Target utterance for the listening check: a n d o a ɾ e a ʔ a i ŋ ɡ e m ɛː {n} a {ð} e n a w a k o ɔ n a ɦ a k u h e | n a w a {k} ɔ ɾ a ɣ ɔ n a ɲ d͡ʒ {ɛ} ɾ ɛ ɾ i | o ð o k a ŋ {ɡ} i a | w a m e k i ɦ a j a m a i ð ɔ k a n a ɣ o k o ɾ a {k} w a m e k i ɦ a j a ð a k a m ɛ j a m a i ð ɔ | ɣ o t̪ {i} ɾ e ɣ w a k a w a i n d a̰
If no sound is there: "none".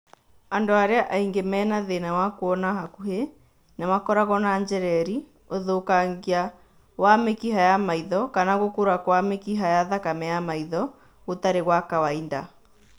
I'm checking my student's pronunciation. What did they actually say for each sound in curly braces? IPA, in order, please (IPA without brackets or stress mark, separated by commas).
n, ð, k, ɛ, ɡ, k, a